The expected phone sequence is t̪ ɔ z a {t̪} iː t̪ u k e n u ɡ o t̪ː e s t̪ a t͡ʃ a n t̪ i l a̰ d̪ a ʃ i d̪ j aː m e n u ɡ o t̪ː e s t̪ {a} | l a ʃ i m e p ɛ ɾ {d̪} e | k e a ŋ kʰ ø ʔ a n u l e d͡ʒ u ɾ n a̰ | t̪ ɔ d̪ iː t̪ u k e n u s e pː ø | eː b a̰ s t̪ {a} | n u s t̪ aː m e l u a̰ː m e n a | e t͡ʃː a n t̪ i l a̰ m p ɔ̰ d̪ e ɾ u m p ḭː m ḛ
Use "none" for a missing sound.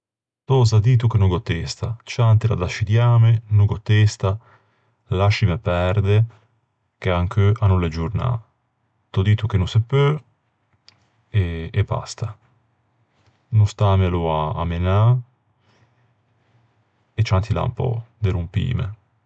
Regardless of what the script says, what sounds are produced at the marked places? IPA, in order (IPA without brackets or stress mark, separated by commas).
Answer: d̪, a, d̪, a